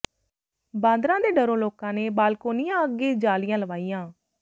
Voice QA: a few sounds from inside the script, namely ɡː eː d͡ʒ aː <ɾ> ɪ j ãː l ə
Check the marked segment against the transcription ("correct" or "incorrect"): incorrect